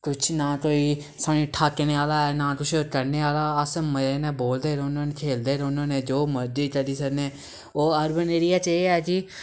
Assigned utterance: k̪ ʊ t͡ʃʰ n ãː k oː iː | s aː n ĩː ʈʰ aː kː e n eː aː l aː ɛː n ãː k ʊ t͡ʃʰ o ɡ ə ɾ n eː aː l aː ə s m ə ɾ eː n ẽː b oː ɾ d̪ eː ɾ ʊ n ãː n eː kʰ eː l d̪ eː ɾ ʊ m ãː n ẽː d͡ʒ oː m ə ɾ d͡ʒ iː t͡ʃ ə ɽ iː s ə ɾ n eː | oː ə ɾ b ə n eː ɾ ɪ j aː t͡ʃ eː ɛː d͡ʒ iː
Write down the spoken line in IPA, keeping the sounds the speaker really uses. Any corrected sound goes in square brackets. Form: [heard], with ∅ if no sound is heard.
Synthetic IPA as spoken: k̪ ʊ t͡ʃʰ n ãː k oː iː | s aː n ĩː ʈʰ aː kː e n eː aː l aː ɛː n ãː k ʊ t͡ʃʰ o [k] ə ɾ n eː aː l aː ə s m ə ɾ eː n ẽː b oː [l] d̪ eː ɾ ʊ n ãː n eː kʰ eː l d̪ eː ɾ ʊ [n] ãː n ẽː d͡ʒ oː m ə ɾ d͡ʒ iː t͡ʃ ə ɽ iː s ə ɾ n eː | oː ə ɾ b ə n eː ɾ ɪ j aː t͡ʃ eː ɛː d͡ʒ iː